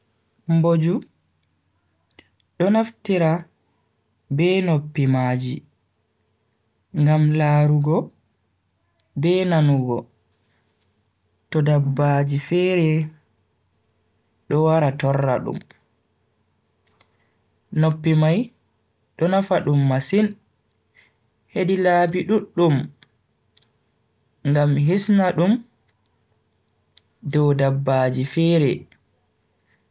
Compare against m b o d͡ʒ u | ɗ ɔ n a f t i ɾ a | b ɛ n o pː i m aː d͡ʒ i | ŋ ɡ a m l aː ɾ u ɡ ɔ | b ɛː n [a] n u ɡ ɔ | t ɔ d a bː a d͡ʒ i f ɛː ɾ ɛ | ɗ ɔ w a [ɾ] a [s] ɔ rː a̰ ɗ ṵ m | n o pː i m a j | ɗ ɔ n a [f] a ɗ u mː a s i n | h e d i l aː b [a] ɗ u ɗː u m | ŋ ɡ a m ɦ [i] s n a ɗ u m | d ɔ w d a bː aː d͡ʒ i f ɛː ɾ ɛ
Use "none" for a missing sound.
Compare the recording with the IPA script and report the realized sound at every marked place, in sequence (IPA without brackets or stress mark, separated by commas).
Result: a, ɾ, t, f, i, i